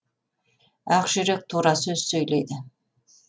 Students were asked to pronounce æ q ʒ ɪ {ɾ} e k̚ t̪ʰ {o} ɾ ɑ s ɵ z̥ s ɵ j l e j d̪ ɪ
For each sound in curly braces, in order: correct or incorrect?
correct, incorrect: u

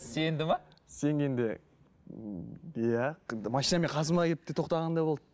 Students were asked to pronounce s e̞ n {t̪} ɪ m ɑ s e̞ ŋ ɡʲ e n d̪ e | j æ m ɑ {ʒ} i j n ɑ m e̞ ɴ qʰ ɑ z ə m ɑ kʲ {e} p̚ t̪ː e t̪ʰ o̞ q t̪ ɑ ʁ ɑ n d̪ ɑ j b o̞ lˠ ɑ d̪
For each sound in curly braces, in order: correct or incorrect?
incorrect: d̪, incorrect: ʃ, correct

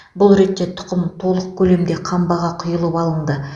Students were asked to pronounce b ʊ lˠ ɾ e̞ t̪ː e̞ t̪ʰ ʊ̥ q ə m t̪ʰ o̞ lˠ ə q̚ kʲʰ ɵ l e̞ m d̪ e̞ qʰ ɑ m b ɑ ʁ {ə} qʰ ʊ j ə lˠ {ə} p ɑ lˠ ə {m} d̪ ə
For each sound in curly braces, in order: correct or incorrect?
incorrect: ɑ, correct, incorrect: ɴ

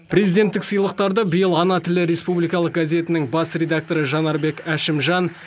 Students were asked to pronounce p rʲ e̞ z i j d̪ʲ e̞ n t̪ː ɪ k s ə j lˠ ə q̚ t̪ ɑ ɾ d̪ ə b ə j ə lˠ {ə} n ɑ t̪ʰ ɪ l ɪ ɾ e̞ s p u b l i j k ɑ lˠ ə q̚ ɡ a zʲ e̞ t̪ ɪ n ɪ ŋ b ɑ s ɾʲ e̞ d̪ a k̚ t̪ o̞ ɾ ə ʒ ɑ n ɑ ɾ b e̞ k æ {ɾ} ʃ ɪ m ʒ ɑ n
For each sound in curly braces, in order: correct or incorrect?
incorrect: ɑ, incorrect: none

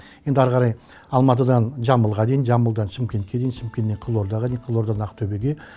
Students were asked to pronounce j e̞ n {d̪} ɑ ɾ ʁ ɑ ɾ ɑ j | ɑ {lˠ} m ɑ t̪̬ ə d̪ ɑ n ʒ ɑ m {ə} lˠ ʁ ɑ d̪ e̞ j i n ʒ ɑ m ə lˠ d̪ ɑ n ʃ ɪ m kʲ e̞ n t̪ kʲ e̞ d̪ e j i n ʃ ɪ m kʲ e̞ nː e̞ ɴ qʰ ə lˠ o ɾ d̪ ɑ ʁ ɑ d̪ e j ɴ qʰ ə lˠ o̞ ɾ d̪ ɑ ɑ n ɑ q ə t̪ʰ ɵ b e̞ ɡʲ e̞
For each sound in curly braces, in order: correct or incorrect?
correct, correct, correct

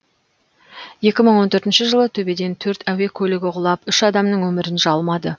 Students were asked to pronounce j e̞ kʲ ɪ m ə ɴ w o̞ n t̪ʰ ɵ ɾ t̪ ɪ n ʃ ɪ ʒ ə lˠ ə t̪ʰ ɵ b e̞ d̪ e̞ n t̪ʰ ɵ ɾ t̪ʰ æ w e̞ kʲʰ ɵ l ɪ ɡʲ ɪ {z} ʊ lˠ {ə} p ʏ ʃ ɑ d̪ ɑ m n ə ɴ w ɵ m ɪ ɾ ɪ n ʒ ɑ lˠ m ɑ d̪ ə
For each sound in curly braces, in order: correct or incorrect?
incorrect: ʁ, incorrect: ɑ

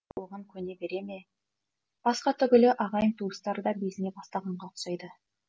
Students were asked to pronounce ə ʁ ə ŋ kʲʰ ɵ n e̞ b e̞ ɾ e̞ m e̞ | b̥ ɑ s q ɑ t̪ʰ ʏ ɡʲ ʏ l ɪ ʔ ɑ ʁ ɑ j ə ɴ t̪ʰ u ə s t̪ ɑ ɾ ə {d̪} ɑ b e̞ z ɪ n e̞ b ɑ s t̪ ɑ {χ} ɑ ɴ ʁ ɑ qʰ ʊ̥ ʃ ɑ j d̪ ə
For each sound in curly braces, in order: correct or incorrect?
correct, incorrect: ʁ

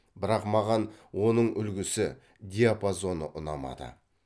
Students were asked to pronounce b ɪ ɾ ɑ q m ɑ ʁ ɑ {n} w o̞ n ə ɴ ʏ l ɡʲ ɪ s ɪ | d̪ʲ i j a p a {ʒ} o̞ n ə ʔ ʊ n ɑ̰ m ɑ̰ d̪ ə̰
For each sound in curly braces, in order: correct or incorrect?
correct, incorrect: z

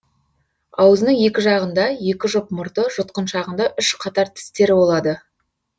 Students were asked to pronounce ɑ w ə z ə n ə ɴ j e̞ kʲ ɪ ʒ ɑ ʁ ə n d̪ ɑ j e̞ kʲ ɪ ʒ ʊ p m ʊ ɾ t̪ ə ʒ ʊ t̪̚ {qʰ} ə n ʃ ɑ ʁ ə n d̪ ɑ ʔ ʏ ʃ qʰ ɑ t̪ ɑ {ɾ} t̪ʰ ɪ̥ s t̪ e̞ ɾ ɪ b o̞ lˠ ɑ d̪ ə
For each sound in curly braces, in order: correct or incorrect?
incorrect: q, correct

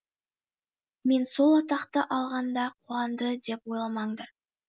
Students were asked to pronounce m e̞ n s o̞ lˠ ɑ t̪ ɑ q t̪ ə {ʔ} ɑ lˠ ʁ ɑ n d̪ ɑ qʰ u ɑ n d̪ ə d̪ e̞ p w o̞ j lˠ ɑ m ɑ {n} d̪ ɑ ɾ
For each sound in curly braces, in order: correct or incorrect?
correct, incorrect: ɴ

